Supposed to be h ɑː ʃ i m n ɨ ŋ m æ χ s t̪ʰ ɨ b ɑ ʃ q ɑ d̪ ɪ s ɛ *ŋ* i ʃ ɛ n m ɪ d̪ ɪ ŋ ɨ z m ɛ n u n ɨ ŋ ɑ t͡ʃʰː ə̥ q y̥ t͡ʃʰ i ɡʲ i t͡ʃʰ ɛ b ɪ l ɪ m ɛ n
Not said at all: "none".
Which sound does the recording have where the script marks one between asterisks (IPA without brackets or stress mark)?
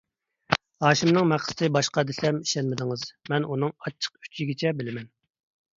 m